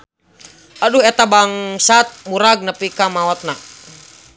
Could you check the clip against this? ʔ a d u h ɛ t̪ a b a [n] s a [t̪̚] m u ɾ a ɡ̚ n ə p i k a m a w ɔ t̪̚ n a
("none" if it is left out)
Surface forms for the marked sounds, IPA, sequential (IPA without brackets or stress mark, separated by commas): ŋ, t̪̚